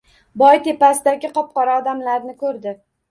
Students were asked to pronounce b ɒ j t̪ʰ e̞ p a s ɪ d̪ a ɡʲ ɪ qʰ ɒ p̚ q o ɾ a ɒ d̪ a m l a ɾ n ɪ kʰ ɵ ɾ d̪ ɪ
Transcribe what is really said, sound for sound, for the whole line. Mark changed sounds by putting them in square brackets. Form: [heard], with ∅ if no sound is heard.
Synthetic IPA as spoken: b ɒ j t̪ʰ e̞ p a s ɪ d̪ a ɡʲ ɪ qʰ ɒ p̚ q [ɒ] ɾ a ɒ d̪ a m l a ɾ n ɪ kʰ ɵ ɾ d̪ ɪ